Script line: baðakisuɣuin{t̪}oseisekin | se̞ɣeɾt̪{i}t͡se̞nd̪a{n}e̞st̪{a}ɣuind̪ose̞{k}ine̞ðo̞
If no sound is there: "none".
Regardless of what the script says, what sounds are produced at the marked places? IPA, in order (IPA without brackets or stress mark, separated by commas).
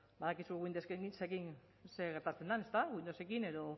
d̪, a, n, a, k